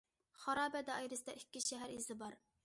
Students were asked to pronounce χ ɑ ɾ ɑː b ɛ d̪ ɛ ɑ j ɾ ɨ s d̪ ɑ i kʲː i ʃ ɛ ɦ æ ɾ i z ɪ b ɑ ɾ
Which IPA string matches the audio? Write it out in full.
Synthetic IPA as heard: χ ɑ ɾ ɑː b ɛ d̪ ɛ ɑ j ɾ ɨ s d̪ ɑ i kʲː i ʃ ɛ ɦ æ ɾ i z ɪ b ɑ ɾ

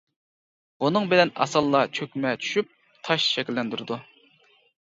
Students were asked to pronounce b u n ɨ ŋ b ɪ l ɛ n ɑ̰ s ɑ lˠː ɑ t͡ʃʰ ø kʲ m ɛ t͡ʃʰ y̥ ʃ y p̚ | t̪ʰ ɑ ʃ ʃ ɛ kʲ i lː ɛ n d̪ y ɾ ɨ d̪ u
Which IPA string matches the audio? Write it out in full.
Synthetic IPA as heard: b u n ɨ ŋ b ɪ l ɛ n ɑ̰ s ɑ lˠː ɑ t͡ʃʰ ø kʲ m ɛ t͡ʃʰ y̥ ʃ y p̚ | t̪ʰ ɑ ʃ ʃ ɛ kʲ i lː ɛ n d̪ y ɾ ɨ d̪ u

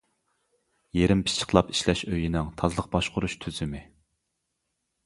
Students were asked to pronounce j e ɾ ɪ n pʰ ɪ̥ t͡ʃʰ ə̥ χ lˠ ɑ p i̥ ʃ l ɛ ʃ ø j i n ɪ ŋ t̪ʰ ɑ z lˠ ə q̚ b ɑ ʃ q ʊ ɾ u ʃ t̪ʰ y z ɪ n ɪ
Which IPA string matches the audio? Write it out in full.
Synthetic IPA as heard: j e ɾ ɪ m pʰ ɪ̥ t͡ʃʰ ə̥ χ lˠ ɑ p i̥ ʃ l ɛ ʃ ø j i n ɪ ŋ t̪ʰ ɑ z lˠ ə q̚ b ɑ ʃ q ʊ ɾ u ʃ t̪ʰ y z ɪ m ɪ

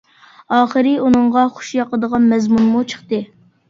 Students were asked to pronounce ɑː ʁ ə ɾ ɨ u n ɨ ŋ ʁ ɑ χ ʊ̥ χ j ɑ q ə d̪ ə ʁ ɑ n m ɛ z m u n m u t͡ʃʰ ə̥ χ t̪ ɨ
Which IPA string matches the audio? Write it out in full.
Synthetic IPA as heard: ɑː χ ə ɾ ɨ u n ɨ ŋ ʁ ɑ χ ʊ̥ ʃ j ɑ q ə d̪ ə ʁ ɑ n m ɛ z m u n m u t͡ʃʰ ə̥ χ t̪ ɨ

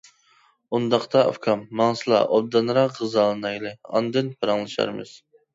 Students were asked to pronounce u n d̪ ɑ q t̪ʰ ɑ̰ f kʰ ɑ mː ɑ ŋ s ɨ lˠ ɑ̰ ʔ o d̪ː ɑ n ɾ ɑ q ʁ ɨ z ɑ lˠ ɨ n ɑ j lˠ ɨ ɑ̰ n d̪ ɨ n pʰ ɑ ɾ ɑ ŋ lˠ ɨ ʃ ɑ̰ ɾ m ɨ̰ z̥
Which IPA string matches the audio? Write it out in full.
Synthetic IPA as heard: u n d̪ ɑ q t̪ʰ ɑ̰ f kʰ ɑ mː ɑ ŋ s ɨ lˠ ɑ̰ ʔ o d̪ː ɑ n ɾ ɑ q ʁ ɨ z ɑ lˠ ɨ n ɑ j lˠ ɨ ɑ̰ n d̪ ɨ n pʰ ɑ ɾ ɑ ŋ lˠ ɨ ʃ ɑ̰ ɾ m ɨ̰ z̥

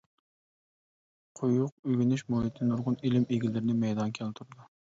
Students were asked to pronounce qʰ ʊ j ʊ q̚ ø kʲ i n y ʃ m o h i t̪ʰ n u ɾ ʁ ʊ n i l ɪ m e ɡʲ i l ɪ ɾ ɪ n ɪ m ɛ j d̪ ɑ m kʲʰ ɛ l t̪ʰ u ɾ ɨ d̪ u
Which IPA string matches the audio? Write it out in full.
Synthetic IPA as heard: qʰ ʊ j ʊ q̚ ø ɡʲ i n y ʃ m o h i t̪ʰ n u ɾ ʁ ʊ n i l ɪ m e ɡʲ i l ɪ ɾ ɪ n ɪ m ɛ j d̪ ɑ n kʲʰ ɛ l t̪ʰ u ɾ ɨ d̪ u

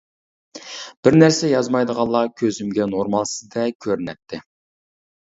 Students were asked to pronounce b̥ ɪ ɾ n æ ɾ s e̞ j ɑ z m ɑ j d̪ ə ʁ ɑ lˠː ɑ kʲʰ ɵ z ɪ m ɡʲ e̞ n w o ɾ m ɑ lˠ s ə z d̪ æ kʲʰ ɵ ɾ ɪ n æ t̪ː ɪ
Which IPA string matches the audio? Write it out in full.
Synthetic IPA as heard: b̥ ɪ ɾ n æ ɾ s e̞ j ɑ z m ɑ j d̪ ə ʁ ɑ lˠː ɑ kʲʰ ɵ z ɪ m ɡʲ e̞ n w o ɾ m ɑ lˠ s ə z d̪ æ kʲʰ ɵ ɾ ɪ n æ t̪ː ɪ

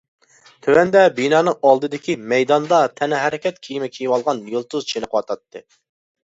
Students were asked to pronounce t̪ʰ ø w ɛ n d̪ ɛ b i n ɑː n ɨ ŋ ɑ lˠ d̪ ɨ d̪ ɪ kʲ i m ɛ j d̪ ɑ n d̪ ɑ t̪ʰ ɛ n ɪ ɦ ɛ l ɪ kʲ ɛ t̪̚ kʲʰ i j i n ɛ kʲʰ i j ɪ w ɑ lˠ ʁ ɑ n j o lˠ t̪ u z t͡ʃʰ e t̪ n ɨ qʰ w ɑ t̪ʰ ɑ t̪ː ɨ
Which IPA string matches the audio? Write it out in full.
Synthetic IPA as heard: t̪ʰ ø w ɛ n d̪ ɛ b i n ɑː n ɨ ŋ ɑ lˠ d̪ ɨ d̪ ɪ kʲ i m ɛ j d̪ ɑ n d̪ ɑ t̪ʰ ɛ n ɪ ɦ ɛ ɾ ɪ kʲ ɛ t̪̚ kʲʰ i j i m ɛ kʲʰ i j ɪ w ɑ lˠ ʁ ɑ n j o lˠ t̪ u z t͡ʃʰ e n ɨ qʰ w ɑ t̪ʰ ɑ t̪ː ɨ

